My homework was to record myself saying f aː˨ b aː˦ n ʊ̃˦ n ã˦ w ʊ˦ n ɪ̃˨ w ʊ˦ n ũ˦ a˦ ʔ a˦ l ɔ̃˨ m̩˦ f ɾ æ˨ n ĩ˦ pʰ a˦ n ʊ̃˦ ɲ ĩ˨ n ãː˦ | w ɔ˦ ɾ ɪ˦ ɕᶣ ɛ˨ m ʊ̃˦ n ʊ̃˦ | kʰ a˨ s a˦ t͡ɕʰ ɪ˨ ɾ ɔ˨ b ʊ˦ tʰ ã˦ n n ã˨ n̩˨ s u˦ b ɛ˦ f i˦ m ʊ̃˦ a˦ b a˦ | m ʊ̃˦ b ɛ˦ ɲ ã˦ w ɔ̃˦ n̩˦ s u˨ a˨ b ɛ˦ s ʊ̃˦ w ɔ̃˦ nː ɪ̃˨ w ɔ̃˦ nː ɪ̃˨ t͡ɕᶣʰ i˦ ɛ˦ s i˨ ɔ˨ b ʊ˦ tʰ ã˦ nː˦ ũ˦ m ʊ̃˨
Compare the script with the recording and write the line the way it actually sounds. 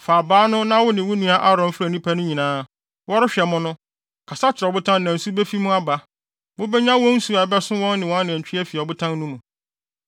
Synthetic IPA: f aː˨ b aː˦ n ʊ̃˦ n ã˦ w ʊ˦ n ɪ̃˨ w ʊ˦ n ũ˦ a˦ ʔ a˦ ɾ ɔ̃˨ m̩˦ f ɾ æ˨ n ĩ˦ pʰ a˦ n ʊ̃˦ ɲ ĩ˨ n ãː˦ | w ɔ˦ ɾ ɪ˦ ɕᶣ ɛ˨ m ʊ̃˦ n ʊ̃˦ | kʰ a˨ s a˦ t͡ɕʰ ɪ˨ ɾ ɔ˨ b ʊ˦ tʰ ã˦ n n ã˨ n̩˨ s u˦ b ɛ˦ f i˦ m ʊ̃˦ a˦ b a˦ | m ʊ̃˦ b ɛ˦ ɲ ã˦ w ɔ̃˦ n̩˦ s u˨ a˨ b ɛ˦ s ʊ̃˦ w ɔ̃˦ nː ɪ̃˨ w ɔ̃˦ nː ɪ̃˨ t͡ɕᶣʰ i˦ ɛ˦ f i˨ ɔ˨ b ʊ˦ tʰ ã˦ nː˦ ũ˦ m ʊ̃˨